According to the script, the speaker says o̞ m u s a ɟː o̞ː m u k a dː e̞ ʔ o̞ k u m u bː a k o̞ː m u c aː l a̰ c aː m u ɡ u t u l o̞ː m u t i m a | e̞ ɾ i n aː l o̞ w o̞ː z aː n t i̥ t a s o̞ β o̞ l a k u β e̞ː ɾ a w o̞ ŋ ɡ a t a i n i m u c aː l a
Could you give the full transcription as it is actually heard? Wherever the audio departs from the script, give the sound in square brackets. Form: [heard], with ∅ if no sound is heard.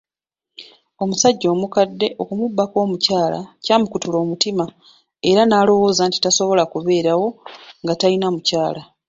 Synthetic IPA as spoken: o̞ m u s a ɟː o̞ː m u k a dː e̞ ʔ o̞ k u m u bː a k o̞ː m u c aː l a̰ c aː m u [k] u t u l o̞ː m u t i m a | e̞ ɾ [a] n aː l o̞ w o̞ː z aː n t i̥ t a s o̞ β o̞ l a k u β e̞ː ɾ a w o̞ ŋ ɡ a t a i n [a] m u c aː l a